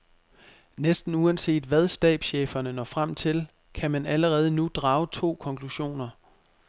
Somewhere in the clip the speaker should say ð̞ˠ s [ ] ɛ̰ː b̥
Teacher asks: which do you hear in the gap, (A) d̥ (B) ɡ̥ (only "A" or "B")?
A